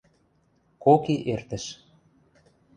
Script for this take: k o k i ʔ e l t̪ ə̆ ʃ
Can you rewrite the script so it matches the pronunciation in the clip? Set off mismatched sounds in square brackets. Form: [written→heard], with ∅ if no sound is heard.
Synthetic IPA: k o k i ʔ e [l→r] t̪ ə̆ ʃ